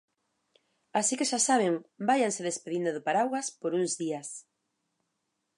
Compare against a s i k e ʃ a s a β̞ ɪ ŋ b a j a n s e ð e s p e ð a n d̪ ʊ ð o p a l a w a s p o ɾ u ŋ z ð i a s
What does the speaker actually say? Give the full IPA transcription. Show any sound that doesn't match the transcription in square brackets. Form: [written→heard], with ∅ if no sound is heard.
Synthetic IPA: a s i k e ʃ a s a β̞ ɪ ŋ b a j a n s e ð e s p e ð [a→i] n d̪ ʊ ð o p a [l→ɾ] a w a s p o ɾ u ŋ z ð i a s